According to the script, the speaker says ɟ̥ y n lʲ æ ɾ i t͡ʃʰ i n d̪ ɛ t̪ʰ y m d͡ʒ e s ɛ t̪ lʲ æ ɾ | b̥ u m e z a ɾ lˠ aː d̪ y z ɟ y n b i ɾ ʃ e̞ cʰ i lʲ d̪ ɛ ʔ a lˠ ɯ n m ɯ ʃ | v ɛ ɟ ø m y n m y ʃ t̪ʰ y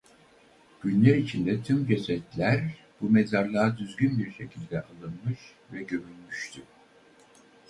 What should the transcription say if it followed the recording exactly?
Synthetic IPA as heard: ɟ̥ y n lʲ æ ɾ i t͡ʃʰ i n d̪ ɛ t̪ʰ y m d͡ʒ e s ɛ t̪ lʲ æ ɾ | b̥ u m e z a ɾ lˠ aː d̪ y z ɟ y n b i ɾ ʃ e̞ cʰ i lʲ d̪ ɛ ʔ a lˠ ɯ n m ɯ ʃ | v ɛ ɟ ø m y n m y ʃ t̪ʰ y